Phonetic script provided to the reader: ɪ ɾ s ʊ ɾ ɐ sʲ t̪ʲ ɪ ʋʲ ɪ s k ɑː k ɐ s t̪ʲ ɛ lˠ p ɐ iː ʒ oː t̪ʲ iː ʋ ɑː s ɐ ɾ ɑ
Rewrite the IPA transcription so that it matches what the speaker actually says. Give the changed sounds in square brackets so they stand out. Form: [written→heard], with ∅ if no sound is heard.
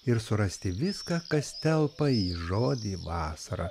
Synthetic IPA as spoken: ɪ ɾ s ʊ ɾ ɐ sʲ t̪ʲ ɪ ʋʲ ɪ s k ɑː k ɐ s t̪ʲ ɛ lˠ p ɐ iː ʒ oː [t̪ʲ→d̪ʲ] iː ʋ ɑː s ɐ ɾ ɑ